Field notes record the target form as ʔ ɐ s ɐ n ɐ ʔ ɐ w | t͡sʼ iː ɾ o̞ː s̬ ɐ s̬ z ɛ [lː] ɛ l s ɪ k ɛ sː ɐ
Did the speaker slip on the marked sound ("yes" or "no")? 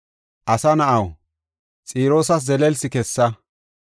yes